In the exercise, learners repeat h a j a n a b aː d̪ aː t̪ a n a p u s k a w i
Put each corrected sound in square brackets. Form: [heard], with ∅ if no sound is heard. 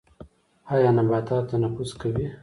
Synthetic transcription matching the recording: h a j a n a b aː [t̪] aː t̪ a n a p u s k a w i